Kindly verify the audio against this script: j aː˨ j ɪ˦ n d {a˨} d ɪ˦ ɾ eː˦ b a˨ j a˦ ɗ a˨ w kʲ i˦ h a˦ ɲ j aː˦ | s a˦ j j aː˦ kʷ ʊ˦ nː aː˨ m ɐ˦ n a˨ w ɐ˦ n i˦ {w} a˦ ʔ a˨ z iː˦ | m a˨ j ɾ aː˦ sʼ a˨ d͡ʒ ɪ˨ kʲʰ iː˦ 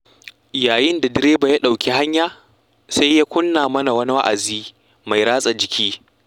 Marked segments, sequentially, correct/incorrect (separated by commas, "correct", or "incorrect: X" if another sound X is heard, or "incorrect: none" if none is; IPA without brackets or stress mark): correct, correct